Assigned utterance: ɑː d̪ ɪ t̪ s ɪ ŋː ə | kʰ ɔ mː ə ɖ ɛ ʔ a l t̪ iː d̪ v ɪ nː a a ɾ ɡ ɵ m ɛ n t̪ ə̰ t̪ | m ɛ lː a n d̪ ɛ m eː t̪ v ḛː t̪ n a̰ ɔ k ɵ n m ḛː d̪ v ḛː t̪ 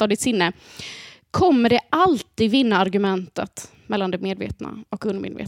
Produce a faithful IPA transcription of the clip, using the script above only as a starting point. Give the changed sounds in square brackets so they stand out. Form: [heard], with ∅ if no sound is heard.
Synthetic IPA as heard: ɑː d̪ ɪ t̪ s ɪ [nː] ə | kʰ ɔ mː ə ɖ ɛ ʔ a l t̪ iː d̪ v ɪ nː a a ɾ ɡ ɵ m ɛ n t̪ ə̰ t̪ | m ɛ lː a n d̪ ɛ m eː [d̪] v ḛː t̪ n a̰ ɔ k ɵ n m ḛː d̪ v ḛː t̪